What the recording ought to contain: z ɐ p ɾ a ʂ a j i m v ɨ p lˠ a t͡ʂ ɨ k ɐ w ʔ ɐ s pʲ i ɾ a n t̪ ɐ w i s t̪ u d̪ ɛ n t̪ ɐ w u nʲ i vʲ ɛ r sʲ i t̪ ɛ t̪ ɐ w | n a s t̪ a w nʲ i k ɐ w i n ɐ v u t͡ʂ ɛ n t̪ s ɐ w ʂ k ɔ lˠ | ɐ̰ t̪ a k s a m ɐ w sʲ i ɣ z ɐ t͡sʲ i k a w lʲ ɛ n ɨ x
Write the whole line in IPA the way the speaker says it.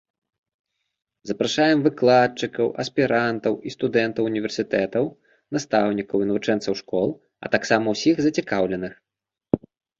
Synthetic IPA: z ɐ p ɾ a ʂ a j ɛ m v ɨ k lˠ a t͡ʂ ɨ k ɐ w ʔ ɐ s pʲ i ɾ a n t̪ ɐ w i s t̪ u d̪ ɛ n t̪ ɐ w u nʲ i vʲ ɛ r sʲ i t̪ ɛ t̪ ɐ w | n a s t̪ a w nʲ i k ɐ w i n ɐ v u t͡ʂ ɛ n t̪ s ɐ w ʂ k ɔ lˠ | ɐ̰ t̪ a k s a m ɐ w sʲ i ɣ z ɐ t͡sʲ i k a w lʲ ɛ n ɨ x